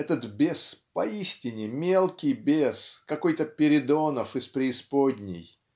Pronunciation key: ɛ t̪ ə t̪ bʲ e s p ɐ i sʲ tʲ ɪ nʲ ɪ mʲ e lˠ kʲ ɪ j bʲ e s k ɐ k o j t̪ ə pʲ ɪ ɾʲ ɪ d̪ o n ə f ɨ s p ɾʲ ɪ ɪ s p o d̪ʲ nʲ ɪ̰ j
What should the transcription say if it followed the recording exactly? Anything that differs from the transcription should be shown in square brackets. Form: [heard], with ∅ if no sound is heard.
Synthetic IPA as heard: ɛ t̪ ə t̪ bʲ e s p ɐ i sʲ tʲ ɪ nʲ ɪ mʲ e lˠ kʲ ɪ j bʲ e s k ɐ k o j t̪ ə pʲ ɪ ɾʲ ɪ d̪ o n ə f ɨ s p ɾʲ ɪ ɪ s p o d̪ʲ nʲ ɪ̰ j